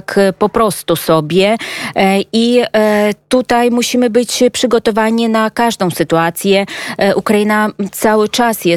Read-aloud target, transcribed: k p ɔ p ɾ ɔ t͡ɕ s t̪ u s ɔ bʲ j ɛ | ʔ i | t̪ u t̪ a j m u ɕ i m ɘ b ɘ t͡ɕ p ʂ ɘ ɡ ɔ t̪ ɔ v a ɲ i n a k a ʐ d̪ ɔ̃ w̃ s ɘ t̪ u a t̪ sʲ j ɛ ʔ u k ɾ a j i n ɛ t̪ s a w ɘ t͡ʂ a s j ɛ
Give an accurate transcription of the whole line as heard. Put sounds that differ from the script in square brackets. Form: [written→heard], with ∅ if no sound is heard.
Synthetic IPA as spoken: k p ɔ p ɾ ɔ [t͡ɕ→∅] s t̪ u s ɔ bʲ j ɛ | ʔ i | t̪ u t̪ a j m u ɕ i m ɘ b ɘ t͡ɕ p ʂ ɘ ɡ ɔ t̪ ɔ v a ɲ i n a k a ʐ d̪ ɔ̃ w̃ s ɘ t̪ u a t̪ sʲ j ɛ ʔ u k ɾ a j i n [ɛ→a] t̪ s a w ɘ t͡ʂ a s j ɛ